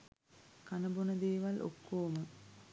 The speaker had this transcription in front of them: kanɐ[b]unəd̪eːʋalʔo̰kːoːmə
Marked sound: correct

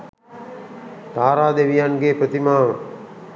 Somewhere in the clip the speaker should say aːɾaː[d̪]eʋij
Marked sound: correct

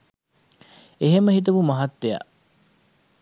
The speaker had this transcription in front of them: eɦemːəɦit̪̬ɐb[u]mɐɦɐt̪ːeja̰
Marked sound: correct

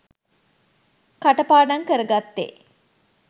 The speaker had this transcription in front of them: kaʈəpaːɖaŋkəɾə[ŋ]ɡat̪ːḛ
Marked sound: incorrect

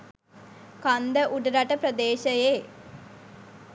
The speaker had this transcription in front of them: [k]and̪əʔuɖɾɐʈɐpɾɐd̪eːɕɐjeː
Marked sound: correct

